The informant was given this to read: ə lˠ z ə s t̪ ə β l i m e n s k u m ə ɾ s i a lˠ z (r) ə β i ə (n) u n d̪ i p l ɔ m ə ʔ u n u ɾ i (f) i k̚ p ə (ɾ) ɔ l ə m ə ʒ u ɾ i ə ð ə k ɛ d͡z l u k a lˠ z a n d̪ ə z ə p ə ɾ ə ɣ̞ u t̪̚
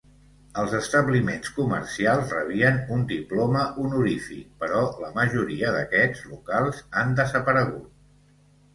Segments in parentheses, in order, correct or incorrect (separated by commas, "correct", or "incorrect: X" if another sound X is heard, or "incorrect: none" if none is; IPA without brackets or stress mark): correct, correct, correct, correct